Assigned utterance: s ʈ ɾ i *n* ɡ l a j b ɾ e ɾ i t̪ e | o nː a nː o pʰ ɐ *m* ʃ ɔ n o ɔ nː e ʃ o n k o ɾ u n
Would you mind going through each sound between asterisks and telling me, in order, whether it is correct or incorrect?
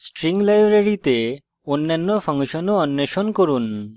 incorrect, incorrect

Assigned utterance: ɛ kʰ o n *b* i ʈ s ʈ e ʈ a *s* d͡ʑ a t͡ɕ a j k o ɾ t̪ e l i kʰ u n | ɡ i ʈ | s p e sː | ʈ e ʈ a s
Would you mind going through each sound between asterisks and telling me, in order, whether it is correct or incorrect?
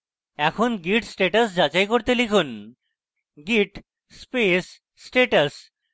incorrect, correct

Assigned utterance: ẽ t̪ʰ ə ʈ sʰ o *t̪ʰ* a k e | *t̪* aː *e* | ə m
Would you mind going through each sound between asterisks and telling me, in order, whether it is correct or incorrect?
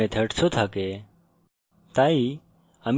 correct, correct, incorrect

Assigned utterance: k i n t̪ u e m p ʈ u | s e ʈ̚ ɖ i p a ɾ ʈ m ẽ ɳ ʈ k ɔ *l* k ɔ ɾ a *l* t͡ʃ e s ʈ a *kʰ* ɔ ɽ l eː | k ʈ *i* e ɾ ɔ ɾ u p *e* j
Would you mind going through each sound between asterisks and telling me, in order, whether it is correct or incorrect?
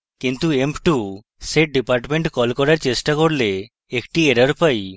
correct, incorrect, incorrect, correct, incorrect

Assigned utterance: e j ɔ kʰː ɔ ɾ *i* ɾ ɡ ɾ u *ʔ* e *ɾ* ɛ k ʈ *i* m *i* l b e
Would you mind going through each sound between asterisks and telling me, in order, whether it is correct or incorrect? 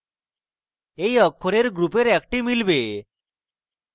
incorrect, incorrect, correct, correct, correct

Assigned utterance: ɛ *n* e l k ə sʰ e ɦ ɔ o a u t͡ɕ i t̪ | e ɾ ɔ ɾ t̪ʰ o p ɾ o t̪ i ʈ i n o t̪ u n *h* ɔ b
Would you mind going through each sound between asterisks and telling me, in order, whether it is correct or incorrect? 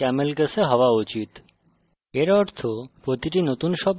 incorrect, incorrect

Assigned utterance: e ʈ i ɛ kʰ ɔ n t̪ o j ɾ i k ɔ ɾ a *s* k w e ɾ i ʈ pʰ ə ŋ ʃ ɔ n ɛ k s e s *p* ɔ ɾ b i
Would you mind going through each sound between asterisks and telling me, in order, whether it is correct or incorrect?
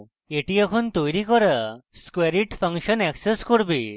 correct, incorrect

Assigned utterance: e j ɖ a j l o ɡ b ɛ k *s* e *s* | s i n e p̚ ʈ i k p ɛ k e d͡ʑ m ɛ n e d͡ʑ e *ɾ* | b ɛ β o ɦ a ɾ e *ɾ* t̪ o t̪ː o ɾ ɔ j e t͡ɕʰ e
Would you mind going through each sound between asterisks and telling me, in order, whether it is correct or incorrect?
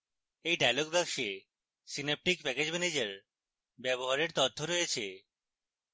incorrect, incorrect, correct, correct

